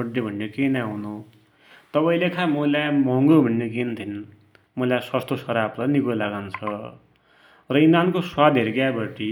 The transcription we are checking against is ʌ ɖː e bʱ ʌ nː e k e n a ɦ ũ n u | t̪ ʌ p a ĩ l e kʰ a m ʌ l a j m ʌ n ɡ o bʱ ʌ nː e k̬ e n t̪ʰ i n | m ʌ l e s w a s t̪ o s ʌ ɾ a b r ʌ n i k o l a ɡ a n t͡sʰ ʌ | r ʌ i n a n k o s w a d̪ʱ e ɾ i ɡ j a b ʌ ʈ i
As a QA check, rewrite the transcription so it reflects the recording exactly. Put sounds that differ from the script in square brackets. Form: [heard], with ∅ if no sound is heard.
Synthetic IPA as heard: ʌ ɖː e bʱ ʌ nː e k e n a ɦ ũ n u | t̪ ʌ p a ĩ l e kʰ a m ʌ l a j m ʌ [ŋ] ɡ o bʱ ʌ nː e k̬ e n t̪ʰ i n | m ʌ l [a] s w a s t̪ o s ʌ ɾ a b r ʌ n i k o l a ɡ a n t͡sʰ ʌ | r ʌ i n a n k o s w a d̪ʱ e ɾ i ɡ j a b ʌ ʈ i